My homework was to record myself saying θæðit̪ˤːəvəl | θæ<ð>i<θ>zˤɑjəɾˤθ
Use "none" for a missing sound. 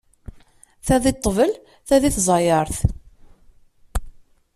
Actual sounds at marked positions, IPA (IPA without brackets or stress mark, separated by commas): ð, θ